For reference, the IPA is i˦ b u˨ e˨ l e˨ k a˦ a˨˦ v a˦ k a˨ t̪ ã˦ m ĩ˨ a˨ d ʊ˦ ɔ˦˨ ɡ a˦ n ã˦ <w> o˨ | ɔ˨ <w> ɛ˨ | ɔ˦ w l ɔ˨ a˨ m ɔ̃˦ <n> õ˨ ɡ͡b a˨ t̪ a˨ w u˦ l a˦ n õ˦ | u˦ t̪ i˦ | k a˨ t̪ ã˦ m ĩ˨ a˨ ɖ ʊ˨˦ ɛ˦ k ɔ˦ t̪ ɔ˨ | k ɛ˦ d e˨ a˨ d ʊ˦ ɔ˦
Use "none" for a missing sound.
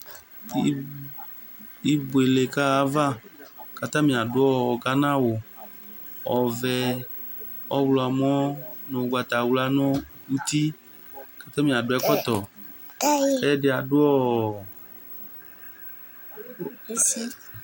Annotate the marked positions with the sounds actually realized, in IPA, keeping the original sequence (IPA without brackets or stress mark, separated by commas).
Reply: w, v, n